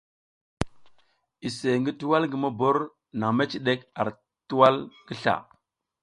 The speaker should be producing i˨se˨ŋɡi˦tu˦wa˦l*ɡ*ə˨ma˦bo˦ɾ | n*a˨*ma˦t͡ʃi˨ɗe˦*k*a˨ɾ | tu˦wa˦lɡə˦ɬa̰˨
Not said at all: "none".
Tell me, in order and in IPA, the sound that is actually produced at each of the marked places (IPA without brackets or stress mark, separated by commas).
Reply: ɡ, a˨, k